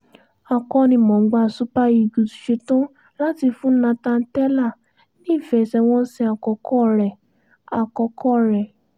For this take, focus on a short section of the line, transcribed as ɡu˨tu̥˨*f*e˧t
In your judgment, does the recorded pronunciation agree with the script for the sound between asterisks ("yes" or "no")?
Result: no